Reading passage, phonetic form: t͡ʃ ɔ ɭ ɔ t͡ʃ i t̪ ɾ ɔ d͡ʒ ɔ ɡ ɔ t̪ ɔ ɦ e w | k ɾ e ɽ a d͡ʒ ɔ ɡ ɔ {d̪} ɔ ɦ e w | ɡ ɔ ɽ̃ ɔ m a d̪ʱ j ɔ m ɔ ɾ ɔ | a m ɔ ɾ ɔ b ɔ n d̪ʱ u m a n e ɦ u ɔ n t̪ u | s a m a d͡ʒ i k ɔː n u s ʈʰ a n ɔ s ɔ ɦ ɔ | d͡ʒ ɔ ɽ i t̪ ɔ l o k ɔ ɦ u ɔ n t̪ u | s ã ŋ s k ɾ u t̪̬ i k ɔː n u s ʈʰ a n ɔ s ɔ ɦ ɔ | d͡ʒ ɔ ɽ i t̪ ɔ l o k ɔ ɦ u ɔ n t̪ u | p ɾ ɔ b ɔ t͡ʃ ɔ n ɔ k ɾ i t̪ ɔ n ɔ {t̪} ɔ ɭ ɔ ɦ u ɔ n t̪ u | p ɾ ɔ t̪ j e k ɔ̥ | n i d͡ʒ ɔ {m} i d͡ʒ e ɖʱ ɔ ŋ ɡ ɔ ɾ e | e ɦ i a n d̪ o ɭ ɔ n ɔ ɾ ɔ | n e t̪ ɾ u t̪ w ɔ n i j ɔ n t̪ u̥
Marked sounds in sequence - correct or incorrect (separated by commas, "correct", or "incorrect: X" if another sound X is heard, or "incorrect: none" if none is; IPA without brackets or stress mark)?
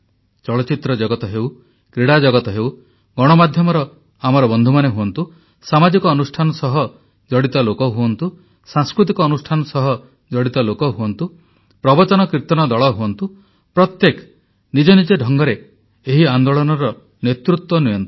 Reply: incorrect: t̪, incorrect: d̪, incorrect: n